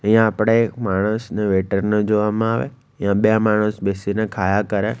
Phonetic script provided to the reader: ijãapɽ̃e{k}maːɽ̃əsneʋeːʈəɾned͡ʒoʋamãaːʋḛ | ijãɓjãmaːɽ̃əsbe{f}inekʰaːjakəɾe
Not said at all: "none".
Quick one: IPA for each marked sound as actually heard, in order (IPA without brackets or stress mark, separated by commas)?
k, s